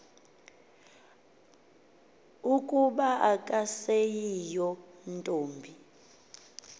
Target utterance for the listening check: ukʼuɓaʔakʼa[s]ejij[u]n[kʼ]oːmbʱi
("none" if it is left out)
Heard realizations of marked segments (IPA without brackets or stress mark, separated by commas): s, ɔ, tʼ